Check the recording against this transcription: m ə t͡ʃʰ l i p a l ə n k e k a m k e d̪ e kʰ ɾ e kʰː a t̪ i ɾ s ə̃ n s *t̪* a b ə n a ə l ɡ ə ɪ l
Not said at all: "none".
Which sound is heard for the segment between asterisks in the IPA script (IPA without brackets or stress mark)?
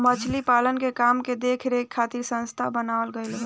t̪ʰ